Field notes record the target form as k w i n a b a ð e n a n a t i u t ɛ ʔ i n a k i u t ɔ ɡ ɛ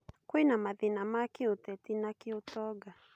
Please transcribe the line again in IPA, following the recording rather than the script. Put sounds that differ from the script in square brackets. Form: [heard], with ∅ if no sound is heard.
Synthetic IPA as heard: k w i n a [m] a ð [i] n a [m] a [k] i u t ɛ [t] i n a k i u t ɔ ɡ [a]